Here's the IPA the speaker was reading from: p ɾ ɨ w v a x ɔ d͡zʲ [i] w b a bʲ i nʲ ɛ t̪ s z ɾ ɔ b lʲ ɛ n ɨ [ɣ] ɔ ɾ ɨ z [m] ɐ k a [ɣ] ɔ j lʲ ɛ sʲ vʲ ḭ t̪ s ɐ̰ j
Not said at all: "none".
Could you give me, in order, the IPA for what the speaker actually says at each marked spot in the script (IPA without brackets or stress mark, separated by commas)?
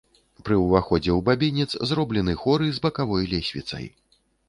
ɛ, x, b, v